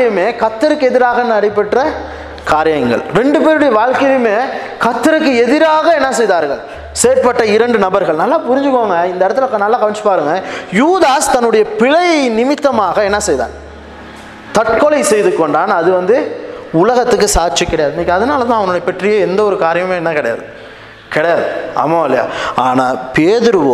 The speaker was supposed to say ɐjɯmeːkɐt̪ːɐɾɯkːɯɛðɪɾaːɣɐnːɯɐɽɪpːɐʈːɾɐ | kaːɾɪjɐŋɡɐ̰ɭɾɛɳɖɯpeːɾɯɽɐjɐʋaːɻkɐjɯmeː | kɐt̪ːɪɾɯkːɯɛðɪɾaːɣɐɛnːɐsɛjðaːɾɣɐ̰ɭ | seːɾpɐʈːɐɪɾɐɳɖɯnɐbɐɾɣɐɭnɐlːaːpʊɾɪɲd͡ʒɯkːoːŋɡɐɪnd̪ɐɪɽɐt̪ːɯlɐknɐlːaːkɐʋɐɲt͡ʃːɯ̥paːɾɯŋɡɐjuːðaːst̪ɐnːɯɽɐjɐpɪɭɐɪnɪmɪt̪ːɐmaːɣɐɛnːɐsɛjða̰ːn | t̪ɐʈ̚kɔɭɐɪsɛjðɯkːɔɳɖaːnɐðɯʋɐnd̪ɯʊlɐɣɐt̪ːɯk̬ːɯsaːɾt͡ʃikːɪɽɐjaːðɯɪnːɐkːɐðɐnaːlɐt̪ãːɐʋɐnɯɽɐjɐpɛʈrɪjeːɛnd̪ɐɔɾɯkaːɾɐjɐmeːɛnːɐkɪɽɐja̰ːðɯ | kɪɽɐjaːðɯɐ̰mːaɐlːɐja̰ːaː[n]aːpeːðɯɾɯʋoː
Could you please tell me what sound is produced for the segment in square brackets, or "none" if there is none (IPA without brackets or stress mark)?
n